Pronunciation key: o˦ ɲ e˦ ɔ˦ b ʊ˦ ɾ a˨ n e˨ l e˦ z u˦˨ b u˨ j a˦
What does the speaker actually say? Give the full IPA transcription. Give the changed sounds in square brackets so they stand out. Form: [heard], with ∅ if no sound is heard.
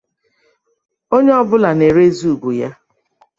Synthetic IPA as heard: o˦ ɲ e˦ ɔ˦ b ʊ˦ [l] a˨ n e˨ [ɾ] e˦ z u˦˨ [ɡ] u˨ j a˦